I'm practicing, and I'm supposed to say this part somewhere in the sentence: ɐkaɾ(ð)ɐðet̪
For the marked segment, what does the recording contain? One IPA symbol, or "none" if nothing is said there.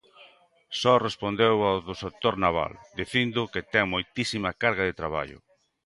ɣ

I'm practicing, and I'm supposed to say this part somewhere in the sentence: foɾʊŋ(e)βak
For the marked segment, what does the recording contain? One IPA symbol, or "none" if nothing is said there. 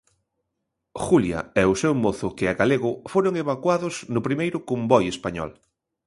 e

